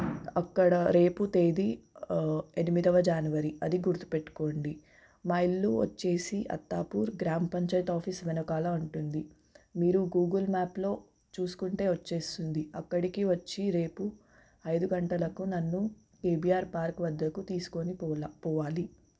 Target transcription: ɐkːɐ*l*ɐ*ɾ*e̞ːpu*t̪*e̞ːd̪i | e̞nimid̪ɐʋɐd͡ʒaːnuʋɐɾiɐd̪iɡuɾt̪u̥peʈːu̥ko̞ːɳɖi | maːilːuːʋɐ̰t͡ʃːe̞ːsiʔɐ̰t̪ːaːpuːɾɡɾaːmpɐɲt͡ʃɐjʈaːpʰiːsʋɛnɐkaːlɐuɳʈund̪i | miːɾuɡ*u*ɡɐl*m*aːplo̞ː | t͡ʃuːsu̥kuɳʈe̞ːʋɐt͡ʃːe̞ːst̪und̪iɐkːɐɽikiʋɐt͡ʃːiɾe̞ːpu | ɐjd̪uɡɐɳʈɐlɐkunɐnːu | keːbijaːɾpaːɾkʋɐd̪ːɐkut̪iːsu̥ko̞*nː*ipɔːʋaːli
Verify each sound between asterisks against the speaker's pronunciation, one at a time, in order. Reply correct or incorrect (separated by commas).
incorrect, correct, correct, incorrect, correct, incorrect